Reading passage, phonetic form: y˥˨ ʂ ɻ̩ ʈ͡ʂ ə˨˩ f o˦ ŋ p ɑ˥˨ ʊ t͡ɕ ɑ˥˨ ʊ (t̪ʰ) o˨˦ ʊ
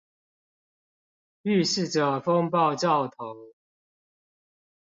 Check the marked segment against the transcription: correct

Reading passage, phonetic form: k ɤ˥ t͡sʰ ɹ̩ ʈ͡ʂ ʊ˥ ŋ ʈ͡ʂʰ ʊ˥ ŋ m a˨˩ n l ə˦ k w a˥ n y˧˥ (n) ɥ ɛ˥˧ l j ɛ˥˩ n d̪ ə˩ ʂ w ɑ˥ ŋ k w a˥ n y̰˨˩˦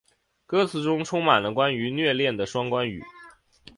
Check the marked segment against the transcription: correct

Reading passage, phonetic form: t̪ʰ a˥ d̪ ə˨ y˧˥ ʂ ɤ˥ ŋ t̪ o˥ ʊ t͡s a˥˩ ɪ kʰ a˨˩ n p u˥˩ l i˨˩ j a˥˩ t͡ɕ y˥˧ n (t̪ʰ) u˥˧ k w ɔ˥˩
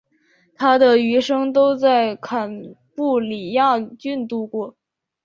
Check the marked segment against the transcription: incorrect: t̪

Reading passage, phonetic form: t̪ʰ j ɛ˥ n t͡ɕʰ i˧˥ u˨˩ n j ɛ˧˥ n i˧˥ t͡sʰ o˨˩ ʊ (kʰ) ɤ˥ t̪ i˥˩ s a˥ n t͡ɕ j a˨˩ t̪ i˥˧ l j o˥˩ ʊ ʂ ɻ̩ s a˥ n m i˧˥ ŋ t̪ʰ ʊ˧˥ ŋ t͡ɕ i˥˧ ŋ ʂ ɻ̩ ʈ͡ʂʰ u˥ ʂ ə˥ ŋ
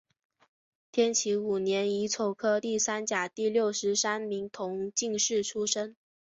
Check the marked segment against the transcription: correct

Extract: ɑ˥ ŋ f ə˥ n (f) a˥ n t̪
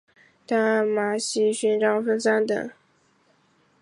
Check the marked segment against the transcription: incorrect: s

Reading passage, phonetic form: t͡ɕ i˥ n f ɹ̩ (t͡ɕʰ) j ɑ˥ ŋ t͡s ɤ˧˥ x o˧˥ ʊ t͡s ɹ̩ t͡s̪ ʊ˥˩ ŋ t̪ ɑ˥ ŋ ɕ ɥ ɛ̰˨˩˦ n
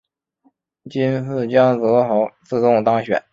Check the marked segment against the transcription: incorrect: t͡ɕ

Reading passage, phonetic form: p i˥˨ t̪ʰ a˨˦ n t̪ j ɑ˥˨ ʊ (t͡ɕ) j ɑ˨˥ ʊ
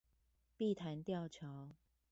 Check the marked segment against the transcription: incorrect: t͡ɕʰ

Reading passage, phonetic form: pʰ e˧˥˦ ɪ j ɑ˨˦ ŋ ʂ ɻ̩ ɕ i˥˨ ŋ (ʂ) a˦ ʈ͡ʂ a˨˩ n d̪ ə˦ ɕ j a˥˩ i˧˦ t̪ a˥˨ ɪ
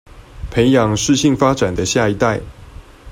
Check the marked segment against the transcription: incorrect: f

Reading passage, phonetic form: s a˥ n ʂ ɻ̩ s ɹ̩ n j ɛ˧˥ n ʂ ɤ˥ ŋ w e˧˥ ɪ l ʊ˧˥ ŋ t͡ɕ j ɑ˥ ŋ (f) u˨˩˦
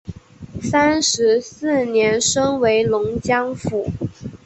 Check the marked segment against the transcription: correct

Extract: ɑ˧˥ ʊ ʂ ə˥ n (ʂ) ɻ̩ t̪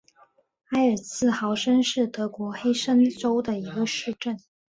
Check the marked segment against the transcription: correct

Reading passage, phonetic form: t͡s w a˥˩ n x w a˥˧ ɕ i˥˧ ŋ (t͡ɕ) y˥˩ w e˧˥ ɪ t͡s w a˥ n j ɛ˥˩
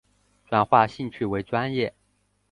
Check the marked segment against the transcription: incorrect: t͡ɕʰ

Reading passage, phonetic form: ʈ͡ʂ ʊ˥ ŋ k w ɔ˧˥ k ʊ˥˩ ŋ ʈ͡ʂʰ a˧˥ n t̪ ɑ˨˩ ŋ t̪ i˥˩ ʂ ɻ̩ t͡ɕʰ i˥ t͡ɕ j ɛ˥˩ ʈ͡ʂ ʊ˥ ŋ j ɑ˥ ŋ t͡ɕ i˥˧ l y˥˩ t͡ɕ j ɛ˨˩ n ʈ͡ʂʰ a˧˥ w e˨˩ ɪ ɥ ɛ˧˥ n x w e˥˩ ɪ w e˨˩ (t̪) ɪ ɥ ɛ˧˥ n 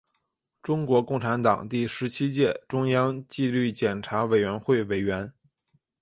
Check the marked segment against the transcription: incorrect: none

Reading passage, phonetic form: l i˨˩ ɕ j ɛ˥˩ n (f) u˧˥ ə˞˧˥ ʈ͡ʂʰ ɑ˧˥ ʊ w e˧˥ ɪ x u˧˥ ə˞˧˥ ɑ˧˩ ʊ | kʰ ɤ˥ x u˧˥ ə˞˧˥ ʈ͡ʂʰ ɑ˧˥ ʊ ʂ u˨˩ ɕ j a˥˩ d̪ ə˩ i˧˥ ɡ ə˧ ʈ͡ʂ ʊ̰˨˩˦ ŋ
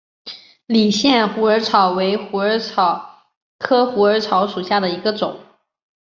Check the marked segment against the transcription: incorrect: x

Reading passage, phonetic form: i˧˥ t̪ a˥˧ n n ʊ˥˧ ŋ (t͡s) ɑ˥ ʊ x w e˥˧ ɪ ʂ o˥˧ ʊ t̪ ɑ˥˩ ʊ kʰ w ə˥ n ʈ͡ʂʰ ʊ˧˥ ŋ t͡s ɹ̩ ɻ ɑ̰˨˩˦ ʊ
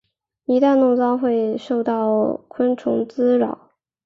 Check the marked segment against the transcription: correct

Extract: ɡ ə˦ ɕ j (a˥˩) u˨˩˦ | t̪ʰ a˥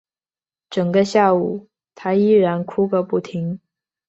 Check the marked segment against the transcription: correct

